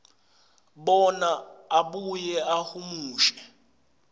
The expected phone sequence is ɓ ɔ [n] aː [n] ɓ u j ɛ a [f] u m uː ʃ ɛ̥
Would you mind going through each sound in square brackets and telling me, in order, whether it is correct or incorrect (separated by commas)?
correct, incorrect, incorrect